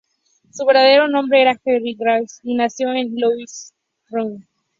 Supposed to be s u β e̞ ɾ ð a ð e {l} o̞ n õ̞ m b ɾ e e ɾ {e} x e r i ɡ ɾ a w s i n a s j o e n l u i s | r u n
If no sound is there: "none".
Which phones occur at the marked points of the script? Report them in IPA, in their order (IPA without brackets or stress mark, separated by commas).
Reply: ɾ, a